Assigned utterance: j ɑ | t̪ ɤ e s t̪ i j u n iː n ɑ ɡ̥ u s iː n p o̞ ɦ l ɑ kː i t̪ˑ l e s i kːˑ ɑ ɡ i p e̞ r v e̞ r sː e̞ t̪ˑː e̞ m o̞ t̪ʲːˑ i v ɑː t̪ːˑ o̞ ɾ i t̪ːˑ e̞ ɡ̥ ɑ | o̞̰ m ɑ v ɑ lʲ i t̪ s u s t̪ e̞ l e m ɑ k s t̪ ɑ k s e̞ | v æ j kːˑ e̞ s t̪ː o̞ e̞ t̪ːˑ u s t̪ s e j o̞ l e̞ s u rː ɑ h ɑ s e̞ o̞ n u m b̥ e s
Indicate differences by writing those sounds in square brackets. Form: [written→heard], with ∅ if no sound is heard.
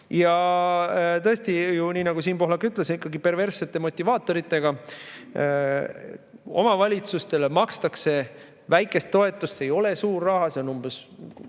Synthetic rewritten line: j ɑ | t̪ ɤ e s t̪ i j u n iː n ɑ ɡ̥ u s iː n p o̞ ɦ l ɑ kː [i→y] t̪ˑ l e s i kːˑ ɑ ɡ i p e̞ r v e̞ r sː e̞ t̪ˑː e̞ m o̞ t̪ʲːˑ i v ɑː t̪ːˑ o̞ ɾ i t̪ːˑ e̞ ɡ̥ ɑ | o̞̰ m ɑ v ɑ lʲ i t̪ s u s t̪ e̞ l e m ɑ k s t̪ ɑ k s e̞ | v æ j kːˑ e̞ s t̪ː o̞ e̞ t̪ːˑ u s t̪ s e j o̞ l e̞ s [u→uː] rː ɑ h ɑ s e̞ o̞ n u m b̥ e s